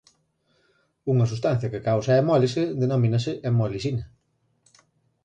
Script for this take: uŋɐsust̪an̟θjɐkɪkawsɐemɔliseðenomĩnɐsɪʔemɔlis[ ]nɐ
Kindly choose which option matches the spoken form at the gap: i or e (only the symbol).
i